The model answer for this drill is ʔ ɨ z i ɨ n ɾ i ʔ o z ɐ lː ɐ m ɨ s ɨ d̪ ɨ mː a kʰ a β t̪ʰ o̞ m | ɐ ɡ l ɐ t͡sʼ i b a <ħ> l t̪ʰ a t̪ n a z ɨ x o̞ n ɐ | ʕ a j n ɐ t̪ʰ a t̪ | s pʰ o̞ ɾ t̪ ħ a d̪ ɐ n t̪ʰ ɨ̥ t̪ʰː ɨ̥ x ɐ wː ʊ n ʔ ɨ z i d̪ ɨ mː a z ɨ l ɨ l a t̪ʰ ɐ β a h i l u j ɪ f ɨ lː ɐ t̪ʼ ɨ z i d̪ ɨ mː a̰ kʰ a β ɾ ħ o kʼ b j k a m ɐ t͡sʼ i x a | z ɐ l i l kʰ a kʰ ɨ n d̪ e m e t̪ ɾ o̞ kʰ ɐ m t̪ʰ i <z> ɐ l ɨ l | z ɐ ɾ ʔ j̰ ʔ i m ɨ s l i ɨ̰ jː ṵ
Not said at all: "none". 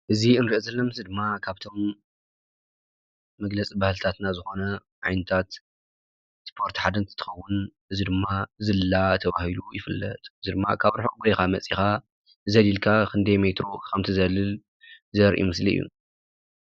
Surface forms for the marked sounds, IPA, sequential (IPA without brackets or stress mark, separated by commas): h, z